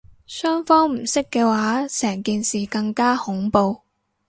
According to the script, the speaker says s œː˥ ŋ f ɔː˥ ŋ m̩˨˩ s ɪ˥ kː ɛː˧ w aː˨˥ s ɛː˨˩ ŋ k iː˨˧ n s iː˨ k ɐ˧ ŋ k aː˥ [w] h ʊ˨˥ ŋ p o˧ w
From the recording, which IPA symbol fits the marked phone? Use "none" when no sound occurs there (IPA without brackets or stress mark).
none